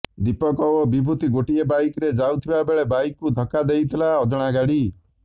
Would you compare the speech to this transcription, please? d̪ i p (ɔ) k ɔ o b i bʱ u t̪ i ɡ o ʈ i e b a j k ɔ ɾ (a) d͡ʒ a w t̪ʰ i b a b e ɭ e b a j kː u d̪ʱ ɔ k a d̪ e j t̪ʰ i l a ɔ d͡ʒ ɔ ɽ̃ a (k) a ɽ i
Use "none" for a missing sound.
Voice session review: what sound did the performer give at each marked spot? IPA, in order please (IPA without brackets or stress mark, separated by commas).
ɔ, e, ɡ